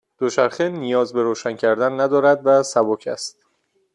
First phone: d̪̥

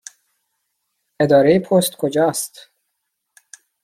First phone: e̞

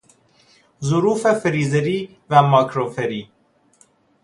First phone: z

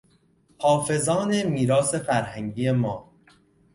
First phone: h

